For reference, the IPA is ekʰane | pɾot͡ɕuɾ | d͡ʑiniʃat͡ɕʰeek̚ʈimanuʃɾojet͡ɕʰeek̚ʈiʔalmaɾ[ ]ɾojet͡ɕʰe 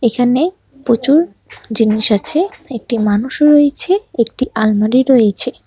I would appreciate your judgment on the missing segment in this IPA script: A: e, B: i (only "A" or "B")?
B